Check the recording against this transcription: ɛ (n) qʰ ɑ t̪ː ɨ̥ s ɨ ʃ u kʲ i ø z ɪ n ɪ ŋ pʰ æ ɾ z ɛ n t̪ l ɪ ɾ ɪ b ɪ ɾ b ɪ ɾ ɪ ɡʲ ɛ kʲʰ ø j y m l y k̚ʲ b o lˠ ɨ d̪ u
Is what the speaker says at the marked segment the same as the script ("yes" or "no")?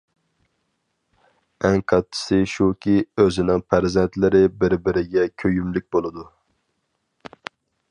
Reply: no